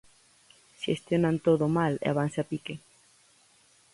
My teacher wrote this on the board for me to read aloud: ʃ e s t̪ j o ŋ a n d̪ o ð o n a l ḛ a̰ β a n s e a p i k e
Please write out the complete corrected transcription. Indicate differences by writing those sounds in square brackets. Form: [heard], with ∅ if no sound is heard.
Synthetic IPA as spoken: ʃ e s t̪ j o [n] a n [t̪] o ð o [m] a l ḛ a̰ β a n s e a p i k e

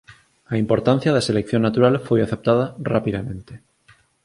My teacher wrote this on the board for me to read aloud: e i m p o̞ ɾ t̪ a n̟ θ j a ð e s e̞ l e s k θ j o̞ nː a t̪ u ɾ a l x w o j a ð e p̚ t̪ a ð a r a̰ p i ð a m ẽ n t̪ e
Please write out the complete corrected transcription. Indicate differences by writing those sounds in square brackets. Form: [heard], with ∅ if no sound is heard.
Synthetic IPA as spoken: [a] i m p o̞ ɾ t̪ a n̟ θ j a ð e s e̞ l e [∅] k θ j o̞ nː a t̪ u ɾ a l [f] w o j a [θ] e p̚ t̪ a ð a r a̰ p i ð a m ẽ n t̪ e

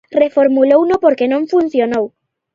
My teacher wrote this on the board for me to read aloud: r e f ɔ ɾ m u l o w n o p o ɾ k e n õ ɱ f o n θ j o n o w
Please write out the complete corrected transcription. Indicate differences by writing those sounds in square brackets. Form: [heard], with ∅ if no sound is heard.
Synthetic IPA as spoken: r e f [o] ɾ m u l o w n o p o ɾ k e n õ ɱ f [u] n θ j o n o w

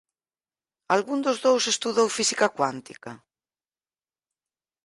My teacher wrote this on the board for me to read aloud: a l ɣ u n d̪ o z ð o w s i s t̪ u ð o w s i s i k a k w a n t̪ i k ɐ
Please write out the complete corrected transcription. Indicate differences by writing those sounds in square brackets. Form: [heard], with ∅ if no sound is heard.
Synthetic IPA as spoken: a l ɣ u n d̪ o z ð o w s [e] s t̪ u ð o w [f] i s i k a k w a n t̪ i k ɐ

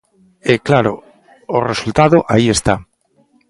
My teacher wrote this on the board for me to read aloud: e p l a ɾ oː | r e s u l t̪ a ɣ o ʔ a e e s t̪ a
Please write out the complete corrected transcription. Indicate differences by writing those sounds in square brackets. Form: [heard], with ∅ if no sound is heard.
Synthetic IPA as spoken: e [k] l a ɾ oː | r e s u l t̪ a [ð] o ʔ a [i] e s t̪ a

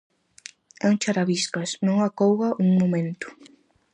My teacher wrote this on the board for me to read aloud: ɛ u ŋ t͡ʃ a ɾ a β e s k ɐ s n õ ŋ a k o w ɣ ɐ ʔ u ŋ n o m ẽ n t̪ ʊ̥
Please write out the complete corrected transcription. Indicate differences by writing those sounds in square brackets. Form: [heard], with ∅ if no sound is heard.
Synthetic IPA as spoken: ɛ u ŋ t͡ʃ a ɾ a β [i] s k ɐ s n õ ŋ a k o w ɣ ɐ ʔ u ŋ [m] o m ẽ n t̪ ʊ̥

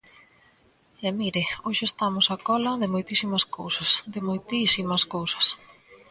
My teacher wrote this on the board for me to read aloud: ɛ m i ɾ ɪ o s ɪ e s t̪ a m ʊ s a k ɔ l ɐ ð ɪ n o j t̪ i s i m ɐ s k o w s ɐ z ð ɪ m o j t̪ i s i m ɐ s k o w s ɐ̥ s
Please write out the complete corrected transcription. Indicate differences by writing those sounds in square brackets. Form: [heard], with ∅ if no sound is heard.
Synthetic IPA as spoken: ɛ m i ɾ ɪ o [ʃ] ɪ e s t̪ a m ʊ s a k ɔ l ɐ ð ɪ [m] o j t̪ i s i m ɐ s k o w s ɐ [s] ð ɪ m o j t̪ i s i m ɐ s k o w s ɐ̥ s

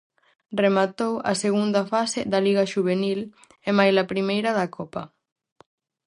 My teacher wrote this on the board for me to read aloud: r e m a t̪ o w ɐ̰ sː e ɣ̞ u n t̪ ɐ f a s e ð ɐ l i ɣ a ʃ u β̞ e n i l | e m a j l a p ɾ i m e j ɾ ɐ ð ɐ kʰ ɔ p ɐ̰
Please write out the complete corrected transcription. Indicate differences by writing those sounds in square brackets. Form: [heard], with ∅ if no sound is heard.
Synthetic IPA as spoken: r e m a t̪ o w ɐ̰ [s] e ɣ̞ u n [d̪] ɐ f a s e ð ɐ l i ɣ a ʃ u β̞ e n i l | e m a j l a p ɾ i m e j ɾ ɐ ð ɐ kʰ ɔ p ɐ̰

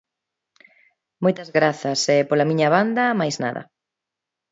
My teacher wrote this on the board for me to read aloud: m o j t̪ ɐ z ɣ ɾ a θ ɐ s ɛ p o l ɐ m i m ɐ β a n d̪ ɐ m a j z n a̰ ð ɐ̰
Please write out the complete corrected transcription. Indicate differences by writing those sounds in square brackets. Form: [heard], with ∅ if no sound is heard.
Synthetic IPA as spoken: m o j t̪ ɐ z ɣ ɾ a θ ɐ s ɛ p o l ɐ m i [ɲ] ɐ β a n d̪ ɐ m a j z n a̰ ð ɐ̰

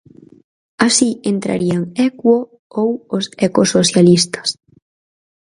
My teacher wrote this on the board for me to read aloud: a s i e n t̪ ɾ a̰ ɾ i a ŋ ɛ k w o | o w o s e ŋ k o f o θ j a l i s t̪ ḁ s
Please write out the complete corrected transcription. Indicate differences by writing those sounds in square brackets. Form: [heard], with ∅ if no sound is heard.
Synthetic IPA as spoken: a s i e n t̪ ɾ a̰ ɾ i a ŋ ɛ k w o | o w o s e [∅] k o [s] o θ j a l i s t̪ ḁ s

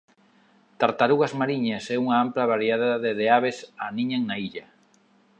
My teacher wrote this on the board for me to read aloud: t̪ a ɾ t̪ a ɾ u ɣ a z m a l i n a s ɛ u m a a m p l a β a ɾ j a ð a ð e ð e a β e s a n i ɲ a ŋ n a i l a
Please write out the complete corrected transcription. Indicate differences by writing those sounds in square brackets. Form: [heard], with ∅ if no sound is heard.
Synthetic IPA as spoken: t̪ a ɾ t̪ a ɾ u ɣ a z m a [ɾ] i [ɲ] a s ɛ u [ŋ] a a m p l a β a ɾ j a ð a ð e ð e a β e s a n i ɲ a ŋ n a i [ʎ] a

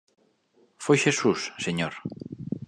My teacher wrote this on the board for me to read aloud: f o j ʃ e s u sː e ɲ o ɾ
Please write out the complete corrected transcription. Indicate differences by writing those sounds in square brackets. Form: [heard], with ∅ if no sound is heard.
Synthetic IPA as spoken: f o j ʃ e s u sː e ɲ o ɾ

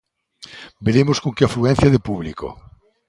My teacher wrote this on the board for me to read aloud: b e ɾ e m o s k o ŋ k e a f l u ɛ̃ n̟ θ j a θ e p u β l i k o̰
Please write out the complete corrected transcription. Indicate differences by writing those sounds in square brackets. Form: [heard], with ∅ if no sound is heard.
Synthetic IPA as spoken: b e ɾ e m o s k o ŋ k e a f l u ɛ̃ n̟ θ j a [ð] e p u β l i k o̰

